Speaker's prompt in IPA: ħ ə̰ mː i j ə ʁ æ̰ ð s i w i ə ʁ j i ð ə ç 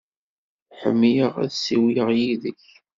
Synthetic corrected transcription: ħ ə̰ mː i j ə ʁ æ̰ ð s i w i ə ʁ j i ð ə ç